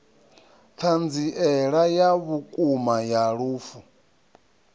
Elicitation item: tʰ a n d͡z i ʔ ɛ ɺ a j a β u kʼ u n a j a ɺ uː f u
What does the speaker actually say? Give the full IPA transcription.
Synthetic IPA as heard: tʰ a n d͡z i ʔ ɛ ɺ a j a β u kʼ u m a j a ɺ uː f u